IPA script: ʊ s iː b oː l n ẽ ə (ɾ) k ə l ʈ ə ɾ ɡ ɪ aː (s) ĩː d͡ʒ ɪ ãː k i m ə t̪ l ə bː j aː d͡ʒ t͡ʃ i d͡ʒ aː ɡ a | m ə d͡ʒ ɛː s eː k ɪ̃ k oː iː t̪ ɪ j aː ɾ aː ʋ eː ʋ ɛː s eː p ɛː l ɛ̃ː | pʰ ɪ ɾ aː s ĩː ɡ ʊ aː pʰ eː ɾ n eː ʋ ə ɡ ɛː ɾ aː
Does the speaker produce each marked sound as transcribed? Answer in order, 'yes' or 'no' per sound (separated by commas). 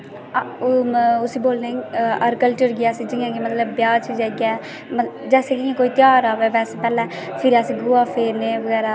yes, yes